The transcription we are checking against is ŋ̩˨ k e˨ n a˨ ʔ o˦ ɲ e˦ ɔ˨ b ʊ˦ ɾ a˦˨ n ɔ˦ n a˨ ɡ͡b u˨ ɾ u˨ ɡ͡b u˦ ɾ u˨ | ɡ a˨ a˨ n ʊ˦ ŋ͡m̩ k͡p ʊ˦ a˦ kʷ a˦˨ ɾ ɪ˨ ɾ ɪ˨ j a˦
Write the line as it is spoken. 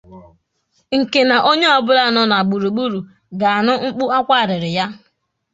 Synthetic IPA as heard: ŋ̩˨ k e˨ n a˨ ʔ o˦ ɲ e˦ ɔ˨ b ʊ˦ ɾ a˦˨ n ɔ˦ n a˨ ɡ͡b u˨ ɾ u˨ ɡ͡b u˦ ɾ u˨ | ɡ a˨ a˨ n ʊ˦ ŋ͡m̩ k͡p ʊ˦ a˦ kʷ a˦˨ ɾ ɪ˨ ɾ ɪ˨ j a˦